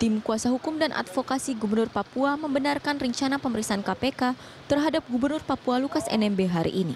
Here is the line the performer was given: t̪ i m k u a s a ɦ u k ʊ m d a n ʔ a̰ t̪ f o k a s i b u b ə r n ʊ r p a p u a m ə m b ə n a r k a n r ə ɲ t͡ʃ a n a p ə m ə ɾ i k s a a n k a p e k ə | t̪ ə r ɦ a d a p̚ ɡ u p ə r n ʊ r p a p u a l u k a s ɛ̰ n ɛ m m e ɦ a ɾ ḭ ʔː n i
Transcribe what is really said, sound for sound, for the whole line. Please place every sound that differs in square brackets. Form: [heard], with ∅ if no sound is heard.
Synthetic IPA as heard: t̪ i m k u a s a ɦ u k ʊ m d a n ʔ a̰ t̪ f o k a s i [ɡ] u b ə r n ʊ r p a p u a m ə m b ə n a r k a n r ə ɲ t͡ʃ a n a p ə m ə ɾ i k s a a n k a p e k [a] | t̪ ə r ɦ a d a p̚ ɡ u [b] ə r n ʊ r p a p u a l u k a s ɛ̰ n ɛ m [b] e ɦ a ɾ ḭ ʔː n i